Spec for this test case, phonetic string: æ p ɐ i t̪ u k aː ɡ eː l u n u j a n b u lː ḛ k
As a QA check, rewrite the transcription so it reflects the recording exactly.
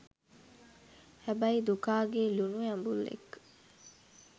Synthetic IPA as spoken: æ b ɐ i d̪ u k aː ɡ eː l u n u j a m b u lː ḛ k